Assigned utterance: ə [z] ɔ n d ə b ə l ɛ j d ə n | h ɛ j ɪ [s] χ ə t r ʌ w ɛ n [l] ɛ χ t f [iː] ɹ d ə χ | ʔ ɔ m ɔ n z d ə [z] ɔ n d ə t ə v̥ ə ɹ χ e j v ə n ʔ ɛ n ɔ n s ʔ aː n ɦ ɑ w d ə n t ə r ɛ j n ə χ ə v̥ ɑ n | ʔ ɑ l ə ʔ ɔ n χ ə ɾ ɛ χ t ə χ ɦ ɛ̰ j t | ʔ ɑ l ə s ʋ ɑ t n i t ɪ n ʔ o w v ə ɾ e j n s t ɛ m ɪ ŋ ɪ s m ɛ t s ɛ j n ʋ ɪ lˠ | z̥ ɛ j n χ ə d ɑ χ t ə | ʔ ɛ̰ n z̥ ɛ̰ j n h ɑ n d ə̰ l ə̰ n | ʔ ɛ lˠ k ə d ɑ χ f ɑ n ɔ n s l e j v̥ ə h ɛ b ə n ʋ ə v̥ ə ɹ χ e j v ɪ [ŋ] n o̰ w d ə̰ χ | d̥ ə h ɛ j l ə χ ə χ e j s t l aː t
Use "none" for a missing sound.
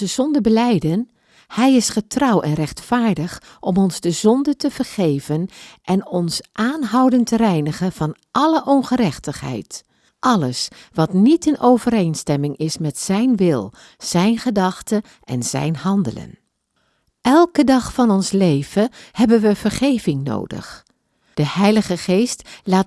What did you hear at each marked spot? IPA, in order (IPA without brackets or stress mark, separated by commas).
z, s, r, aː, z, ŋ